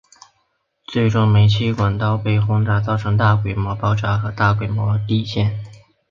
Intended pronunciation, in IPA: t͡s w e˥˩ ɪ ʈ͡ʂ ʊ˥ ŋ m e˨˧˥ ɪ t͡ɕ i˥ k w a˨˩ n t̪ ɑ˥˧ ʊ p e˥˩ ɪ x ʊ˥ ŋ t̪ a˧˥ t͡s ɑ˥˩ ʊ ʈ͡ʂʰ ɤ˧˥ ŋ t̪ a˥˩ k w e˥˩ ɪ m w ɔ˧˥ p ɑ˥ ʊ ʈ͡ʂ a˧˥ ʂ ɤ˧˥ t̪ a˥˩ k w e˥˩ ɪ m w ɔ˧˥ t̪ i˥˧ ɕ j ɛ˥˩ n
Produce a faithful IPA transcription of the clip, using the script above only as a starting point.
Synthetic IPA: t͡s w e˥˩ ɪ ʈ͡ʂ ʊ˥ ŋ m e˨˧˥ ɪ t͡ɕʰ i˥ k w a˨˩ n t̪ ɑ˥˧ ʊ p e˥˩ ɪ x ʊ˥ ŋ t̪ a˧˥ t͡s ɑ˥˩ ʊ ʈ͡ʂʰ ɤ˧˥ ŋ t̪ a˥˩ k w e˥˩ ɪ m w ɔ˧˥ p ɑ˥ ʊ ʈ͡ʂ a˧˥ x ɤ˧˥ t̪ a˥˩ k w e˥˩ ɪ m w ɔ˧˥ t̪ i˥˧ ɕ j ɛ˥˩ n